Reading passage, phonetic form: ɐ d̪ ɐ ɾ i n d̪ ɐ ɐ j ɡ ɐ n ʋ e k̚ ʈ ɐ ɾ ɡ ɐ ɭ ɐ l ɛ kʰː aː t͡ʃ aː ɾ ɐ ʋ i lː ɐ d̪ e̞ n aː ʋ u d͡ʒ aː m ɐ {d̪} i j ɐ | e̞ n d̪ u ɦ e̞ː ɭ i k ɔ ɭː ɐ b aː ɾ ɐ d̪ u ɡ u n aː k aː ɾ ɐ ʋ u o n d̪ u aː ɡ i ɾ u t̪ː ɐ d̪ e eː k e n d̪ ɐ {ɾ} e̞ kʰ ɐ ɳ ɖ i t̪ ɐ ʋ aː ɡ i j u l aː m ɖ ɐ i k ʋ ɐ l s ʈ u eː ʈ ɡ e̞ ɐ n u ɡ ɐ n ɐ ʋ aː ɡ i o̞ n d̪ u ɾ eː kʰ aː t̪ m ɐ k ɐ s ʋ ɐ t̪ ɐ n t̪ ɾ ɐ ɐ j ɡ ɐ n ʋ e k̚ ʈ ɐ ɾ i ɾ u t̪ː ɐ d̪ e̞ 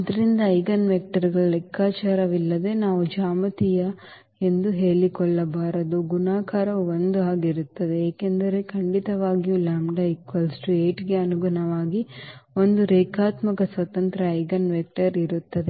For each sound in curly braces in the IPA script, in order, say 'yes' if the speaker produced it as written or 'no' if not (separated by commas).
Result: no, yes